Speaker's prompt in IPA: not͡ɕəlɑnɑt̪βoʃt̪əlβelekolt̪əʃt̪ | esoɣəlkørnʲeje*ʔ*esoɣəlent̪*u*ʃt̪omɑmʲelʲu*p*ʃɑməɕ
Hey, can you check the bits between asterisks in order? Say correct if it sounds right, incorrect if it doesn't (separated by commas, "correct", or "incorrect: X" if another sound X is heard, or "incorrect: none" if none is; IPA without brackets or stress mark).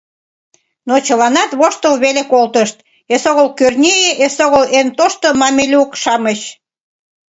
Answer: correct, incorrect: o, incorrect: k